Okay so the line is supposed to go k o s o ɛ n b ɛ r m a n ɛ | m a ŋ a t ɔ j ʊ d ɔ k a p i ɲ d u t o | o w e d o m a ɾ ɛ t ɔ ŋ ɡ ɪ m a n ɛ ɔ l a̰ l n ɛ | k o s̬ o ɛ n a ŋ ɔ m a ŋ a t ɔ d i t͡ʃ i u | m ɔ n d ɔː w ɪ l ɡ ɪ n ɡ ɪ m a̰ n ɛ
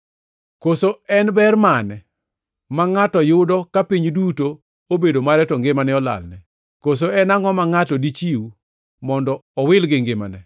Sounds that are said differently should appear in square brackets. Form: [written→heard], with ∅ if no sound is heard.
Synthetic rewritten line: k o s o ɛ n b ɛ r m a n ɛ | m a ŋ a t ɔ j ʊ d ɔ k a p i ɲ d u t o | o [w→b] e d o m a ɾ ɛ t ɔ ŋ ɡ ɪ m a n ɛ ɔ l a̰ l n ɛ | k o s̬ o ɛ n a ŋ ɔ m a ŋ a t ɔ d i t͡ʃ i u | m ɔ n d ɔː w ɪ l ɡ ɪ [n→ŋ] ɡ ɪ m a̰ n ɛ